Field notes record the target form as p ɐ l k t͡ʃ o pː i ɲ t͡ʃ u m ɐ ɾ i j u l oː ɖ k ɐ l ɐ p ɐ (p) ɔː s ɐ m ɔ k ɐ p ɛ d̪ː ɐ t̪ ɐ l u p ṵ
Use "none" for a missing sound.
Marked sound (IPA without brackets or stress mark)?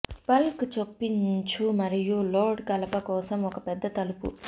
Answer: k